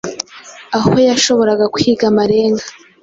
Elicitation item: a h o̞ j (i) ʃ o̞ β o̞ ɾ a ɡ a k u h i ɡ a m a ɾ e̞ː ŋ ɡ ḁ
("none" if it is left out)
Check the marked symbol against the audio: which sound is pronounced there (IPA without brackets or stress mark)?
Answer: a